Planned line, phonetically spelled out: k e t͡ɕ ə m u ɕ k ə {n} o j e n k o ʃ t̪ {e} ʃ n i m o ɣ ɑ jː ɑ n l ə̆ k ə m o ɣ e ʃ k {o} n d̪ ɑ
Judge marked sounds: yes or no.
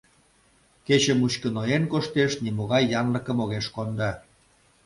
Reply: yes, yes, yes

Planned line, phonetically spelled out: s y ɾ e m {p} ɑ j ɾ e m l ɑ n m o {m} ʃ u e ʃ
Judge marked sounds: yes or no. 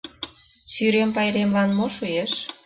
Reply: yes, no

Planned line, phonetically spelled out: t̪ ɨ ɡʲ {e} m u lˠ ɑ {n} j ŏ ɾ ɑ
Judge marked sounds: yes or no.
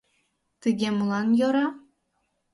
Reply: yes, yes

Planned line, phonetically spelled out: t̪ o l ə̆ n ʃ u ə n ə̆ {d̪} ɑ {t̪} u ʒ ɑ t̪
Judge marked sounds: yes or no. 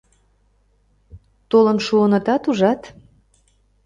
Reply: no, yes

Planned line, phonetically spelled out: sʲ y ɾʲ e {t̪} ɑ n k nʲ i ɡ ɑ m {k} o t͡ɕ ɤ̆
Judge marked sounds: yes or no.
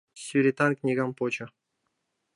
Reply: yes, no

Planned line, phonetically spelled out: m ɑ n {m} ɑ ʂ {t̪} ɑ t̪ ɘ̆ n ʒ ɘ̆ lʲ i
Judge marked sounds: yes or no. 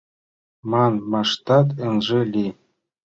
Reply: yes, yes

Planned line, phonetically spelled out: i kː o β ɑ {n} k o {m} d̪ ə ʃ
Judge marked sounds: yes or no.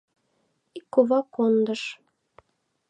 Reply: no, no

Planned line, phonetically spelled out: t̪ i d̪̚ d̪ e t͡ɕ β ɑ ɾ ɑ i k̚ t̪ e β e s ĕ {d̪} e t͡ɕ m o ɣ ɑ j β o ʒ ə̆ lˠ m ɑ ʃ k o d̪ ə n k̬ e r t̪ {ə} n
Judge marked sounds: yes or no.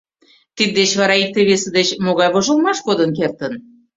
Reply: yes, yes

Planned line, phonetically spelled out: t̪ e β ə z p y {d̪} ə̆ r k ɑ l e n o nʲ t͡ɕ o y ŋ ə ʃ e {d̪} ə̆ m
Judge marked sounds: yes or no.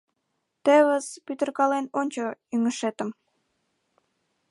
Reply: no, no

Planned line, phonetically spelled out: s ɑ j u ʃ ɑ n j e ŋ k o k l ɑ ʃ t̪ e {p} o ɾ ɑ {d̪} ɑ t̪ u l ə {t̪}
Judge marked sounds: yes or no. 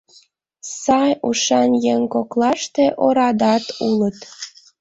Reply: no, yes, yes

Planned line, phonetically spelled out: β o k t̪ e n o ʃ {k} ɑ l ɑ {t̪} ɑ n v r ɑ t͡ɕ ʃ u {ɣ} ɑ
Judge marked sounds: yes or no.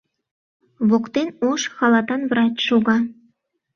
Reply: no, yes, yes

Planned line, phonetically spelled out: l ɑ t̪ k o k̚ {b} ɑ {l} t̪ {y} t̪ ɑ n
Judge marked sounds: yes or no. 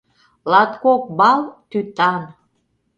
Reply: yes, yes, yes

